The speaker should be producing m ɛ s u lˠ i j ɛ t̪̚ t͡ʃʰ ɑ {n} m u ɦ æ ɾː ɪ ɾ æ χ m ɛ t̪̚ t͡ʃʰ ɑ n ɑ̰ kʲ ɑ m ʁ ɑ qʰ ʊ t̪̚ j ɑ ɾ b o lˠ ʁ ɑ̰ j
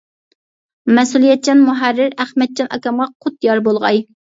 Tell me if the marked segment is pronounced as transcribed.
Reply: yes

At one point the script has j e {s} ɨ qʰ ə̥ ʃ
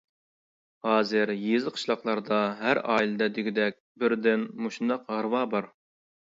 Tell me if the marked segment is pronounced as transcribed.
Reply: no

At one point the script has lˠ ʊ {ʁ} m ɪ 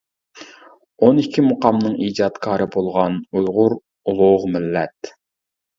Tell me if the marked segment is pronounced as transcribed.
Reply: yes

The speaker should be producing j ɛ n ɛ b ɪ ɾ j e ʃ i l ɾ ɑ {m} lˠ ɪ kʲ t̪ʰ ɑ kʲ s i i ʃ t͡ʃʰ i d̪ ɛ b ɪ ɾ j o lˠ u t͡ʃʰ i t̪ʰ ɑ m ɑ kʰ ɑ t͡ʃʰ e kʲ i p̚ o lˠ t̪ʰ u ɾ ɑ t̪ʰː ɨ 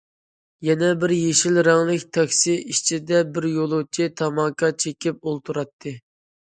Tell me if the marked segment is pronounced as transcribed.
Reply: no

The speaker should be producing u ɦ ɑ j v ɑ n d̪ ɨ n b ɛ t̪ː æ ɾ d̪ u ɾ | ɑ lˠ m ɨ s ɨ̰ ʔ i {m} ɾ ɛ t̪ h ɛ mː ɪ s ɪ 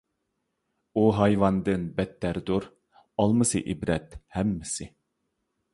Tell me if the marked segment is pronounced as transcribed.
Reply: no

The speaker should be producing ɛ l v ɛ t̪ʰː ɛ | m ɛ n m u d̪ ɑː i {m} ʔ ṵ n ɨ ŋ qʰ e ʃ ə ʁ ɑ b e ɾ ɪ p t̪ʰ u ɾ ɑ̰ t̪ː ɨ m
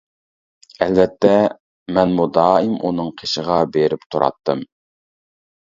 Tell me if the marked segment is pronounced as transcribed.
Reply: yes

